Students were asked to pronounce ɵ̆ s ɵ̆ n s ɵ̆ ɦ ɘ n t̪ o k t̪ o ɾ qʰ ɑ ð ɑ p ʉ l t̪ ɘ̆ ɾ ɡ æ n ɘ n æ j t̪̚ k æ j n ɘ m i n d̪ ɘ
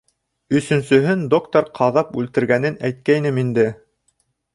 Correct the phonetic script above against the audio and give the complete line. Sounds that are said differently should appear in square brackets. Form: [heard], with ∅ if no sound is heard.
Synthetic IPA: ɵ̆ s ɵ̆ n s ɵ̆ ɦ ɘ n [d̪] o k t̪ o ɾ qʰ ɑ ð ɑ p ʉ l t̪ ɘ̆ ɾ ɡ æ n ɘ n æ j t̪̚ k æ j n ɘ m i n d̪ ɘ